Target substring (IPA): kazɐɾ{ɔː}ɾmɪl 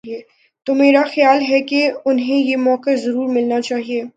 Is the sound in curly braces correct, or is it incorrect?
incorrect